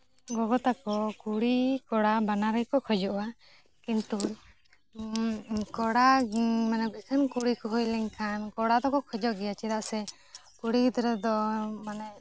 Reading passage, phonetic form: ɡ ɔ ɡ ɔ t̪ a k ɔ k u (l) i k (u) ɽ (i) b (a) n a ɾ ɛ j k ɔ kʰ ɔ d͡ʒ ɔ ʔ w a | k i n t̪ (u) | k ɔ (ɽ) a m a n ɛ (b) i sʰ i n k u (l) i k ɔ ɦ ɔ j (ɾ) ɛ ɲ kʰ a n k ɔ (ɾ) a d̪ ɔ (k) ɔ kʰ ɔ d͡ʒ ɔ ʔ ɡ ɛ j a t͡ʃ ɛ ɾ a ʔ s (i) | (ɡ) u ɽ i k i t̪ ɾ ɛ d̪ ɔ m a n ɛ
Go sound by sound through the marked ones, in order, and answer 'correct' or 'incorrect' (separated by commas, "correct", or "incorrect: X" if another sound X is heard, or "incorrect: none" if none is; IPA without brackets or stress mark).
incorrect: ɽ, incorrect: ɔ, incorrect: a, correct, correct, correct, correct, incorrect: ɽ, incorrect: l, incorrect: ɽ, correct, incorrect: ɛ, incorrect: k